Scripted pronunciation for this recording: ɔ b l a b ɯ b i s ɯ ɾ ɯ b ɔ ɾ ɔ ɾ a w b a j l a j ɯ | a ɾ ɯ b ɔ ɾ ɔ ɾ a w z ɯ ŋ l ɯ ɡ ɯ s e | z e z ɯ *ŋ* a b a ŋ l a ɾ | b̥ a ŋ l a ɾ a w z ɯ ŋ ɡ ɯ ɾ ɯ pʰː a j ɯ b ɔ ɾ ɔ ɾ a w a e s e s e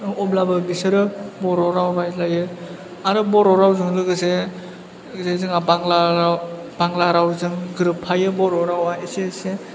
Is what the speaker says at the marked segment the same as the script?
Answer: yes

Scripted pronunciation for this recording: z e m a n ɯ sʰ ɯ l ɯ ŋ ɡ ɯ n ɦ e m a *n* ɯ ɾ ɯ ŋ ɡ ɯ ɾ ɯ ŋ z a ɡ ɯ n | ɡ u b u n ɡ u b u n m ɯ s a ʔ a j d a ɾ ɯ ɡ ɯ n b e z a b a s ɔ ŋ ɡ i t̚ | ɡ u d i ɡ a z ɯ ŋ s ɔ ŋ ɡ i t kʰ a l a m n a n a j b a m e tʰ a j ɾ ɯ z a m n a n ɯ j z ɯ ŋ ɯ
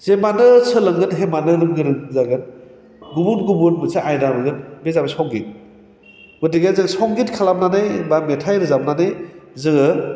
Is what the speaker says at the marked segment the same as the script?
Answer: yes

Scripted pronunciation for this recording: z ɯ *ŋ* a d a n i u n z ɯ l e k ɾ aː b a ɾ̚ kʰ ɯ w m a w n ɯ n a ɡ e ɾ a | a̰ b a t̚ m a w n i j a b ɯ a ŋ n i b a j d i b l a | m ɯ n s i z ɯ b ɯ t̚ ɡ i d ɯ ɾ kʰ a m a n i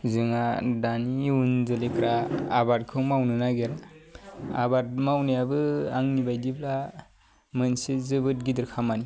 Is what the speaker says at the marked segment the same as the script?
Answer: yes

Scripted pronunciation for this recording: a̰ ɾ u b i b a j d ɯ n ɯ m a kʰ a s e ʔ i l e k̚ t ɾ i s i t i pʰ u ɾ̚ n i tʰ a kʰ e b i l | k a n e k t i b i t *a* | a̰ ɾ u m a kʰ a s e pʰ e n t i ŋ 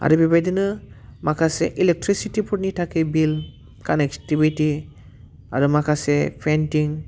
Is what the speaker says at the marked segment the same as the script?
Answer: no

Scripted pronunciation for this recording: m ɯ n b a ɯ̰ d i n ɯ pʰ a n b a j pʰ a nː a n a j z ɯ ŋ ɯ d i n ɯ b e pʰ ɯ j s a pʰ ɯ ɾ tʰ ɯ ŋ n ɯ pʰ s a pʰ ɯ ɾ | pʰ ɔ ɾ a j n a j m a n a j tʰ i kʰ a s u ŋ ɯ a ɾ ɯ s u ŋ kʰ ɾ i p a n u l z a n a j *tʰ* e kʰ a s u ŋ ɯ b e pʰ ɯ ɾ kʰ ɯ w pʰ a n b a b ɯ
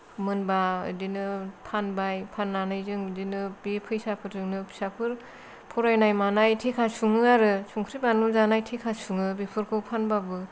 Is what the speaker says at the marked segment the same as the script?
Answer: yes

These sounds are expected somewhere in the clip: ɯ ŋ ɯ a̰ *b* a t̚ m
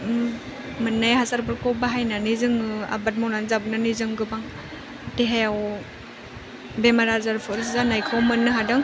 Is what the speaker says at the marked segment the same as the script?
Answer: yes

